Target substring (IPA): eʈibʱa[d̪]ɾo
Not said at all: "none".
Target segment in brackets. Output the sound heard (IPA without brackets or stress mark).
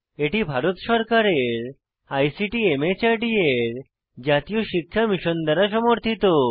none